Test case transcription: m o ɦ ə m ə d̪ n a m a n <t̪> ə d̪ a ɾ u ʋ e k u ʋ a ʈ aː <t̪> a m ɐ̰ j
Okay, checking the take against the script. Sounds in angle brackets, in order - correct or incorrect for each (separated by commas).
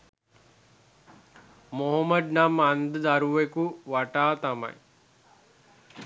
incorrect, correct